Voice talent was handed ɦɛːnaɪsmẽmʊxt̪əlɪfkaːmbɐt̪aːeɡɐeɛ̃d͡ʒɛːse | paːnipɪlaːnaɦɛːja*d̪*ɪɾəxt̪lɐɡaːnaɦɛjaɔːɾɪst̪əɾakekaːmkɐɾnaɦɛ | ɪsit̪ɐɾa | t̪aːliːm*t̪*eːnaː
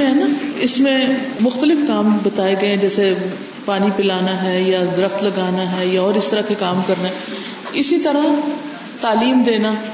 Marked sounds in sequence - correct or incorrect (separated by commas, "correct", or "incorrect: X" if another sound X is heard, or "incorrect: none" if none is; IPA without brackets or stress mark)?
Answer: correct, incorrect: d̪